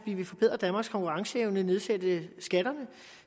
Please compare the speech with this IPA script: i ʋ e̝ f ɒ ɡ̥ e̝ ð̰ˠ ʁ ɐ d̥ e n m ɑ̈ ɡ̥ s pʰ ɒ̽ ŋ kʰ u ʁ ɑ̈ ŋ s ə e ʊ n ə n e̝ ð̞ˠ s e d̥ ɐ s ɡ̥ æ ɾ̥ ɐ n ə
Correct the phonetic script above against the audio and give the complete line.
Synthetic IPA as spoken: i ʋ e̝ f ɒ b̥ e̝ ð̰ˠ ʁ ɐ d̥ æ n m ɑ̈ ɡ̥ s kʰ ɒ̽ ŋ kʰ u ʁ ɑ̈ ŋ s ə e ʊ n ə n e̝ ð̞ˠ s e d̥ ə s ɡ̥ æ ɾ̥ ɐ n ə